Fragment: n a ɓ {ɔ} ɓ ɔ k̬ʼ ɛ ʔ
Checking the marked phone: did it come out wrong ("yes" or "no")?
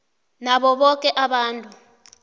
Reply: no